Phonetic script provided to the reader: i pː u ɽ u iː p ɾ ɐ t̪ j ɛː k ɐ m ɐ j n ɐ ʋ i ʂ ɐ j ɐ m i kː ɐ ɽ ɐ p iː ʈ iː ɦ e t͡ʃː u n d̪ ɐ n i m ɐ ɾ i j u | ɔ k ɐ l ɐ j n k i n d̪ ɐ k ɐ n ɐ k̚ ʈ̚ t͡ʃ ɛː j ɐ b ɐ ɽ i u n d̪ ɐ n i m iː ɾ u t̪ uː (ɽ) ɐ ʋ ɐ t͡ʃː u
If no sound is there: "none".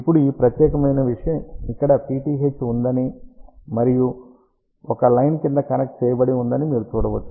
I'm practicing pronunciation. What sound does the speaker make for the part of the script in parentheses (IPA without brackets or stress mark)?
ɽ